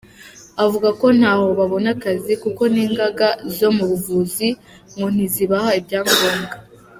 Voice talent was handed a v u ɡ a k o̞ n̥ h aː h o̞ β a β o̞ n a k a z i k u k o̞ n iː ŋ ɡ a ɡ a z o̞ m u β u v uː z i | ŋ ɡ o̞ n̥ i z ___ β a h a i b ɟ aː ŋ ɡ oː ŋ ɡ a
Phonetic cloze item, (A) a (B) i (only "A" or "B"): B